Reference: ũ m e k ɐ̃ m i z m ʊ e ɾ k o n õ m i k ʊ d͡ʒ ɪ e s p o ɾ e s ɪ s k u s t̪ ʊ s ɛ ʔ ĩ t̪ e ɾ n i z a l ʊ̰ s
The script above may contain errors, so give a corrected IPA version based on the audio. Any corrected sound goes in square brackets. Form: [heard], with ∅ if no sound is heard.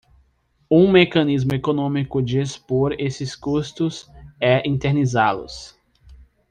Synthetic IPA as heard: ũ m e k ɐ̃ [n] i z m ʊ e [∅] k o n õ m i k ʊ d͡ʒ ɪ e s p o ɾ e s ɪ s k u s t̪ ʊ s ɛ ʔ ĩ t̪ e ɾ n i z a l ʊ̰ s